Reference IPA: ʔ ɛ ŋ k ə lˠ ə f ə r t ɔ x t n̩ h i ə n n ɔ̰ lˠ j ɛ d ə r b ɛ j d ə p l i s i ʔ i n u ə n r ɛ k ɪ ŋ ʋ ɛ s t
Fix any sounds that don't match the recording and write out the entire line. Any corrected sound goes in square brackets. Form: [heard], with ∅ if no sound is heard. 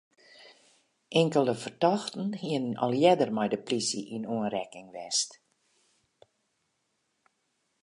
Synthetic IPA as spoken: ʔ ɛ ŋ k ə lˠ ə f ə r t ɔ x t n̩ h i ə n n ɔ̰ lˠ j ɛ d ə r [m] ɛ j d ə p l i s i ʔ i n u ə n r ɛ k ɪ ŋ ʋ ɛ s t